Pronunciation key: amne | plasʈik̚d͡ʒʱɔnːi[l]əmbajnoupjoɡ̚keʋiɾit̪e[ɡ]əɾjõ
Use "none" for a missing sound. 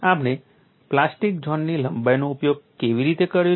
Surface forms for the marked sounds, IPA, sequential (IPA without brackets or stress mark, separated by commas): l, k